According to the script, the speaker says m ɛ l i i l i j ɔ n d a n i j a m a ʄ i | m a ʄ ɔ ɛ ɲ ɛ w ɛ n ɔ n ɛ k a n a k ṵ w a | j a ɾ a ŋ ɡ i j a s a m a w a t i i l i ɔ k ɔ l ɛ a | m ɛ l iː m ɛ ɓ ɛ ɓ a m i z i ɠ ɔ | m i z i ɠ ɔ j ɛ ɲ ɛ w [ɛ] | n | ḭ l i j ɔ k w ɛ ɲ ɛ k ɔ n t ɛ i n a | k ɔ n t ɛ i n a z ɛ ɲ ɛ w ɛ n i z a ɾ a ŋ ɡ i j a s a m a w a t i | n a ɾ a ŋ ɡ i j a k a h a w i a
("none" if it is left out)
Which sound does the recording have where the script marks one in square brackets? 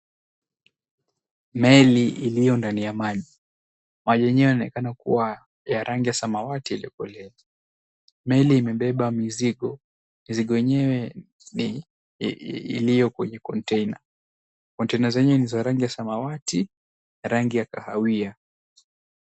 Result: ɛ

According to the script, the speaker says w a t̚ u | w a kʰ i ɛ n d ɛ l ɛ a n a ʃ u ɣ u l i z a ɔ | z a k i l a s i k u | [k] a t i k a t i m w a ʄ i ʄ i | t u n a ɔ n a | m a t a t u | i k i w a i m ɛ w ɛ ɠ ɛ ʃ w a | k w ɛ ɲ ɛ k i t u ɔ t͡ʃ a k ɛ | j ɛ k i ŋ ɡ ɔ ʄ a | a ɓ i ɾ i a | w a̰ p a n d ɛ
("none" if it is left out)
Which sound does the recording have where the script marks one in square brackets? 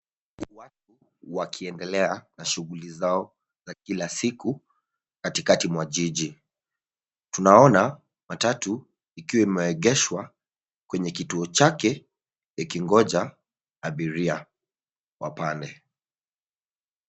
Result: k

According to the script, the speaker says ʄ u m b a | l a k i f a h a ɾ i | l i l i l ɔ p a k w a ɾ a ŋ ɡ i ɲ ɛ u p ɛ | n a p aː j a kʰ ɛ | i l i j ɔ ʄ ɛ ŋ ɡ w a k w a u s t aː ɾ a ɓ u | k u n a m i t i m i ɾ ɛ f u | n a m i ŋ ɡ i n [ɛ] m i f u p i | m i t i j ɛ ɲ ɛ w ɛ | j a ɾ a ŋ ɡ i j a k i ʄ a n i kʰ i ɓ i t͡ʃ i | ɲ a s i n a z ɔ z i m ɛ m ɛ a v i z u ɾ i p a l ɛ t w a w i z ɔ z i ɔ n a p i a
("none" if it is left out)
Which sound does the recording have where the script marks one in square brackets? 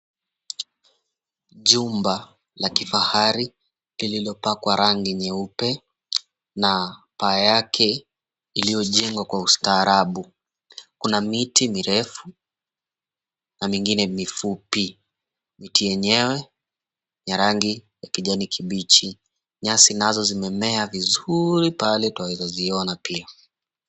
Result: ɛ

